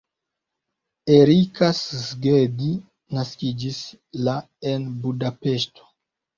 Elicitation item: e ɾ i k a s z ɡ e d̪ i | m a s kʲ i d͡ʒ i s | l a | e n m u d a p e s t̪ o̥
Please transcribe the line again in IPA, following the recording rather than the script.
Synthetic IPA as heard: e ɾ i k a s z ɡ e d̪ i | n a s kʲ i d͡ʒ i s | l a | e n b u d a p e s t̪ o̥